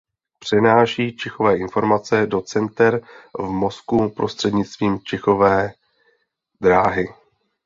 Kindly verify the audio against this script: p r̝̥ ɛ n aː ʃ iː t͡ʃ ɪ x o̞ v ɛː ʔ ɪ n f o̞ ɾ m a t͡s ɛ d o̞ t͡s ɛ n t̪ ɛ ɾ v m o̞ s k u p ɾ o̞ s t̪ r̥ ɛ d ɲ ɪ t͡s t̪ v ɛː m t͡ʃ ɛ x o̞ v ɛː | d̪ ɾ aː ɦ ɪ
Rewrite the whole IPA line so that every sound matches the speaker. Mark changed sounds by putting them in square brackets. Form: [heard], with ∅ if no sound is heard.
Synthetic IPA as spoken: p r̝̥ ɛ n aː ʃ iː t͡ʃ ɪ x o̞ v ɛː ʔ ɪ n f o̞ ɾ m a t͡s ɛ d o̞ t͡s ɛ n t̪ ɛ ɾ v m o̞ s k u p ɾ o̞ s t̪ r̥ ɛ d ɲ ɪ t͡s t̪ v [iː] m t͡ʃ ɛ x o̞ v ɛː | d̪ ɾ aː ɦ ɪ